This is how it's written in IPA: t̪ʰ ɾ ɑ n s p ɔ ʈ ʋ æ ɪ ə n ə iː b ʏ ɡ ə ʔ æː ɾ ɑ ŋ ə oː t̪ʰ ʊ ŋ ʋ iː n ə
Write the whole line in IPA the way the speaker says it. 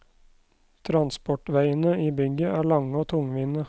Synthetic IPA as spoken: t̪ʰ ɾ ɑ n s p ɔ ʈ ʋ æ ɪ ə n ə iː b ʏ ɡ ə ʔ æː ɭ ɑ ŋ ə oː t̪ʰ ʊ ŋ ʋ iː n ə